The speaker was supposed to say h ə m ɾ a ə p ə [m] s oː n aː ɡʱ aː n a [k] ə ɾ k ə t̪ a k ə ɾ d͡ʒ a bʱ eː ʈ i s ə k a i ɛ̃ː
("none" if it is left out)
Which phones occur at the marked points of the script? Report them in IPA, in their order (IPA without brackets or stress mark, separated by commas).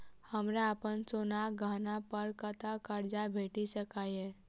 n, p